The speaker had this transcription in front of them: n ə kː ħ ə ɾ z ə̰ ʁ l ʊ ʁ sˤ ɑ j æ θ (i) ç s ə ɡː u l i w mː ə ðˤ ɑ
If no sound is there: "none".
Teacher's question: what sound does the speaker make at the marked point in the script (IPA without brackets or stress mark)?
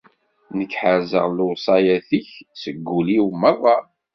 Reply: i